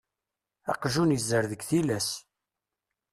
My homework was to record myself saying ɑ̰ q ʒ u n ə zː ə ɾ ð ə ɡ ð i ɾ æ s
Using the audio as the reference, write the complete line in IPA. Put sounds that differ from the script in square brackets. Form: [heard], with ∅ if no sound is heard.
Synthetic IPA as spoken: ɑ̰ q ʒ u n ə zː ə ɾ ð ə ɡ [θ] i [l] æ s